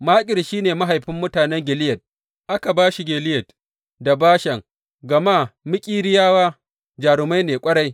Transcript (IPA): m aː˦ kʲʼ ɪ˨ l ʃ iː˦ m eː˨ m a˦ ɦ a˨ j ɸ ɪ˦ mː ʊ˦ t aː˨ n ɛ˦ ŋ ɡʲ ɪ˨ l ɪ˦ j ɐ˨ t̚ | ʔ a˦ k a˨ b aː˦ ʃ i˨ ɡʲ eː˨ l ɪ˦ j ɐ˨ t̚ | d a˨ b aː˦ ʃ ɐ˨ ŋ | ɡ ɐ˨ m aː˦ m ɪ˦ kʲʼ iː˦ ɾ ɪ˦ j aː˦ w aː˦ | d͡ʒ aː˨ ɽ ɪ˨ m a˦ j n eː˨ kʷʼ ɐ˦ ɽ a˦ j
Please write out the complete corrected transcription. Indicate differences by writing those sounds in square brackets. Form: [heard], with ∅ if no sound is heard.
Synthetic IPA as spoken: m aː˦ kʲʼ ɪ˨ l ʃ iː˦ [n] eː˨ m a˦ ɦ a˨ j ɸ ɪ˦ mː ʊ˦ t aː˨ n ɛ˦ ŋ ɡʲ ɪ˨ l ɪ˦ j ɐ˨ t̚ | ʔ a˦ k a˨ b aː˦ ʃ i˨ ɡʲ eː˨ l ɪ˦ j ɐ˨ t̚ | d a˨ b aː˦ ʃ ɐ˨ ŋ | ɡ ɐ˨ m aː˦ m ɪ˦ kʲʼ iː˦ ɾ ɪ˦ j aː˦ w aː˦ | d͡ʒ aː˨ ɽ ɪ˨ m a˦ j n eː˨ kʷʼ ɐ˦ ɽ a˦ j